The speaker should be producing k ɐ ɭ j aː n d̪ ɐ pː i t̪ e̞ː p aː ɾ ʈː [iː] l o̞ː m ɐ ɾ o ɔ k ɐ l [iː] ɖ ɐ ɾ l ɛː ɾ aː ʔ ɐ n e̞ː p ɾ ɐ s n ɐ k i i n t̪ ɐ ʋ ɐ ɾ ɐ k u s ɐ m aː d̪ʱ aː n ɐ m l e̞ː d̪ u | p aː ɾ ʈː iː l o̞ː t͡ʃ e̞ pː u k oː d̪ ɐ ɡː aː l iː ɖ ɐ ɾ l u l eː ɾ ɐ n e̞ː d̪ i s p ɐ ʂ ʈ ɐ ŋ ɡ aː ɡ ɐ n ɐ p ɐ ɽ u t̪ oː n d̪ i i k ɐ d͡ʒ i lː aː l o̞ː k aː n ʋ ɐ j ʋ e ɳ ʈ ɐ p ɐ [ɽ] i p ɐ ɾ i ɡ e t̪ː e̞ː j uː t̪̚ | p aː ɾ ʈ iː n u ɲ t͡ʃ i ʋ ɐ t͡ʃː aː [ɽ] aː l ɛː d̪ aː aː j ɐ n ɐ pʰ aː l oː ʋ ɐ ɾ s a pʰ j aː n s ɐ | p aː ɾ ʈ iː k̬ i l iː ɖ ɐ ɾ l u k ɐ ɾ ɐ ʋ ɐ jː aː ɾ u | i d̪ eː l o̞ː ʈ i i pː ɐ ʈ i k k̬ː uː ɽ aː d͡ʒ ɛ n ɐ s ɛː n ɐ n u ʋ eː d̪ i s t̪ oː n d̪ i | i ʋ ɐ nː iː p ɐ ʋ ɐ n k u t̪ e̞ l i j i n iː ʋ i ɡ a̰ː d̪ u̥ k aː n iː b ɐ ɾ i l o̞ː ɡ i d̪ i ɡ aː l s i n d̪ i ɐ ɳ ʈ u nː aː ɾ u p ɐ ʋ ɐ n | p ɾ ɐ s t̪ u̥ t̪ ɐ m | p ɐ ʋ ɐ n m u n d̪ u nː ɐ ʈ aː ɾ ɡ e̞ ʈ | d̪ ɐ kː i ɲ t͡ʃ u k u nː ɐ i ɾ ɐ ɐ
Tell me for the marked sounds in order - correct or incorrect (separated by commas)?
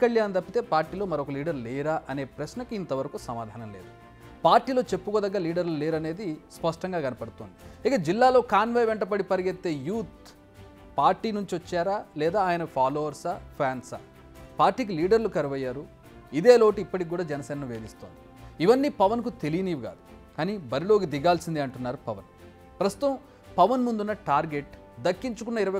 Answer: correct, correct, correct, incorrect